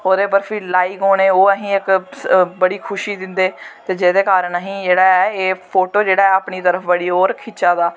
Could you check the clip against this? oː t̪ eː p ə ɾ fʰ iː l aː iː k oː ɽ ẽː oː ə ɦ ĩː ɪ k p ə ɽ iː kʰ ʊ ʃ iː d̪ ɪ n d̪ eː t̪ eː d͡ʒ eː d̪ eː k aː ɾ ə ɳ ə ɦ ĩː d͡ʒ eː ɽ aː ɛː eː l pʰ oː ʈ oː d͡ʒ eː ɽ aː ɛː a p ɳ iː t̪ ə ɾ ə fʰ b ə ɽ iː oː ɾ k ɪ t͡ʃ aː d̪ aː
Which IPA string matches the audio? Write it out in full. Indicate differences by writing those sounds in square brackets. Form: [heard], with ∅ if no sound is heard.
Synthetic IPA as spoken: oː [d̪] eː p ə ɾ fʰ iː l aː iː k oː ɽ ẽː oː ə ɦ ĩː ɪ k [b] ə ɽ iː kʰ ʊ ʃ iː d̪ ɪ n d̪ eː t̪ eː d͡ʒ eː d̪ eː k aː ɾ ə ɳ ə ɦ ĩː d͡ʒ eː ɽ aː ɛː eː [∅] pʰ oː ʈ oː d͡ʒ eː ɽ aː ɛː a p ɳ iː t̪ ə ɾ ə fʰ b ə ɽ iː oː ɾ [kʰ] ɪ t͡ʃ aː d̪ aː